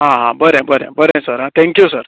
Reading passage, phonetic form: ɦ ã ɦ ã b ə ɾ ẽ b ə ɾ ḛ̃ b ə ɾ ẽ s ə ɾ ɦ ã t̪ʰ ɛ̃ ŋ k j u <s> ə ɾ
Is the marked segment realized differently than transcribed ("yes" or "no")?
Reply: no